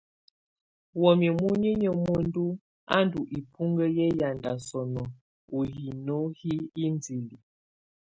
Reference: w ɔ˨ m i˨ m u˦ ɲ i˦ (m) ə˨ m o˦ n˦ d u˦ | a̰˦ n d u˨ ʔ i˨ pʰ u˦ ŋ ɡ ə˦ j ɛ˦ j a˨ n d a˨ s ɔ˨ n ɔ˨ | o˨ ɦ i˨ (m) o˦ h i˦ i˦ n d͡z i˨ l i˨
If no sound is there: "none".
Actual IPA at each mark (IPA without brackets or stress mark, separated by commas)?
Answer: ɲ, n